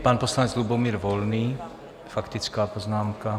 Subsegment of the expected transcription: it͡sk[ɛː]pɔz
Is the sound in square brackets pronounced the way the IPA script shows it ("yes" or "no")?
no